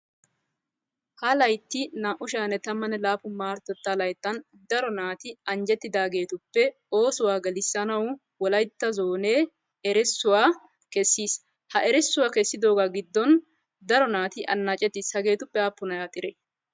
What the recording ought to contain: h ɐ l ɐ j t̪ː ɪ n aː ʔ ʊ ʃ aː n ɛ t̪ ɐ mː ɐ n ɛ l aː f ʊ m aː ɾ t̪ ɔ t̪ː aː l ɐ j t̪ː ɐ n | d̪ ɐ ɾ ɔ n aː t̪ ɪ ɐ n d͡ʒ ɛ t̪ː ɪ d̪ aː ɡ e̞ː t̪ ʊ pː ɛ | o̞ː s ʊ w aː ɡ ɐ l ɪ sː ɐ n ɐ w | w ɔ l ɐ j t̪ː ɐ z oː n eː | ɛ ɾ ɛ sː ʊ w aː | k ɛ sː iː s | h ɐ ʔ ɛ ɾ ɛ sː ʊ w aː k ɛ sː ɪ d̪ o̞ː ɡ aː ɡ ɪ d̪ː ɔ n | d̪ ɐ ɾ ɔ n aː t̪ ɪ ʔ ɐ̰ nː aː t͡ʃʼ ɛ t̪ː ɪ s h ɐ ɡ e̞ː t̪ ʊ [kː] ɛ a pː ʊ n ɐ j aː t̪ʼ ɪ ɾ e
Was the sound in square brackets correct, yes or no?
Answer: no